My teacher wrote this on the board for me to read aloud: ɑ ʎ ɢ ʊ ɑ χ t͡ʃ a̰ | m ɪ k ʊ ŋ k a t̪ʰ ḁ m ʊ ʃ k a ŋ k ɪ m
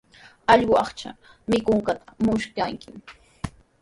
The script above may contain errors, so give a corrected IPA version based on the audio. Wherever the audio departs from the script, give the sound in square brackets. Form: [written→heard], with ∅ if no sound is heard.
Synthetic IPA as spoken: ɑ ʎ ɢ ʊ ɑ χ t͡ʃ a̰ | m ɪ k ʊ ŋ k a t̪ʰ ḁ m ʊ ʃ k a ŋ k ɪ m